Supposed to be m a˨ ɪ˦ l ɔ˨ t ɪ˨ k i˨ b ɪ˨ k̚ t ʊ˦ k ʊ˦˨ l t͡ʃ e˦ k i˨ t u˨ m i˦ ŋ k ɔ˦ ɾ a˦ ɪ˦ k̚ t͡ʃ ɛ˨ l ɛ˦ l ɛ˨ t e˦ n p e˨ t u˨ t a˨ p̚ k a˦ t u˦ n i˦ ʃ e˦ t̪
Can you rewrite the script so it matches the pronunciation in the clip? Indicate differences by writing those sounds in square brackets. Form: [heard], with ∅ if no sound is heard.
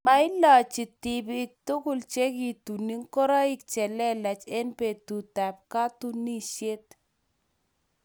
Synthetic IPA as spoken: m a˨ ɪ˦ l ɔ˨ [t͡ʃ] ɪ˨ [t] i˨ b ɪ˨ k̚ t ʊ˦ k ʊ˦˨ l t͡ʃ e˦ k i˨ t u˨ [n] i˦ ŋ k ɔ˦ ɾ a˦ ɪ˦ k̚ t͡ʃ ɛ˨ l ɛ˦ l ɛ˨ [t͡ʃ] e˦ n p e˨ t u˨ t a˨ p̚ k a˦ t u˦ n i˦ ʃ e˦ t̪